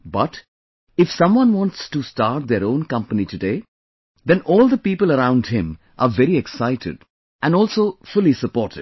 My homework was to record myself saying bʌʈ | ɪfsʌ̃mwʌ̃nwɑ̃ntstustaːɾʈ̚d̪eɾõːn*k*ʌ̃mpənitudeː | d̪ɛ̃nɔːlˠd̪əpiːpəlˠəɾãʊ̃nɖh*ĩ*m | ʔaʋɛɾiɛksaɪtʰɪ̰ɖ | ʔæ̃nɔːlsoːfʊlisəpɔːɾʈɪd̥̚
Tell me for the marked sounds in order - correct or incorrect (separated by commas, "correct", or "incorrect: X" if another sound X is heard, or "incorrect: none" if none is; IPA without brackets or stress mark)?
correct, incorrect: ɪ̃